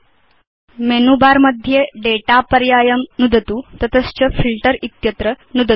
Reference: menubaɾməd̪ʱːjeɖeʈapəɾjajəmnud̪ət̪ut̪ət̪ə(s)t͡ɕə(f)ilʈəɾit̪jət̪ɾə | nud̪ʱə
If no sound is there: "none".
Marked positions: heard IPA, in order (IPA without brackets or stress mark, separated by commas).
s, f